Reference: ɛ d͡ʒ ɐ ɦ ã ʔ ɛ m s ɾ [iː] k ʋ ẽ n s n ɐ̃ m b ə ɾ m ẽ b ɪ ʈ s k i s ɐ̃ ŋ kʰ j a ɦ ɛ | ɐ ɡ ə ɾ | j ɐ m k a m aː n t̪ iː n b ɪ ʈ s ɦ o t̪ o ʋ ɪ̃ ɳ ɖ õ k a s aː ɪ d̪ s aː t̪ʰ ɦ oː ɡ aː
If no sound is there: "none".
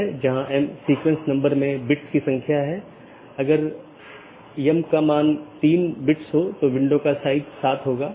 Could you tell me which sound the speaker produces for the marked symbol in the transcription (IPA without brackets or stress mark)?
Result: iː